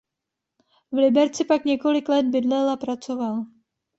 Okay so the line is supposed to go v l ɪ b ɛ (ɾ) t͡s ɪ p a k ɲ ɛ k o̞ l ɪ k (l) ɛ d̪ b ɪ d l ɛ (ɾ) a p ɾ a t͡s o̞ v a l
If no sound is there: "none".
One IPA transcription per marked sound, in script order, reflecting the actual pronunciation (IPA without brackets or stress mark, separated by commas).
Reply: ɾ, l, l